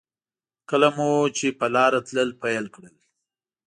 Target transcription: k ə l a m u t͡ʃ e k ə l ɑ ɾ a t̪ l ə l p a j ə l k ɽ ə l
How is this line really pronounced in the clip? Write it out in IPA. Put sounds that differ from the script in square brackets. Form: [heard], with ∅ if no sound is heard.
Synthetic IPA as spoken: k ə l a m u t͡ʃ e [p] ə l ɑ ɾ a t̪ l ə l p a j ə l k ɽ ə l